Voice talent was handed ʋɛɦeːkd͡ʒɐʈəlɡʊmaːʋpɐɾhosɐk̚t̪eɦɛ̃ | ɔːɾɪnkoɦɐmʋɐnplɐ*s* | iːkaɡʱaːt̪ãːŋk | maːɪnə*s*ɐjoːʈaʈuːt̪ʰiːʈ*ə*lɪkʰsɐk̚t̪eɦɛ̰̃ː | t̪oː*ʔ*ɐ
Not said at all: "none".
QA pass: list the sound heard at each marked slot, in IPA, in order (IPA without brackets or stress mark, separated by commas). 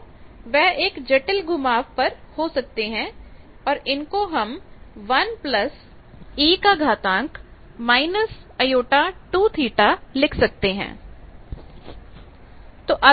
s, s, a, ʔ